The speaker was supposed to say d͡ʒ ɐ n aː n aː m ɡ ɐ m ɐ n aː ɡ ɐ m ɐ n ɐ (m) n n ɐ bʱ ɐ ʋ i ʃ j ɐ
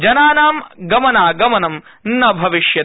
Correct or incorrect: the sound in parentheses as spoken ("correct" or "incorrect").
correct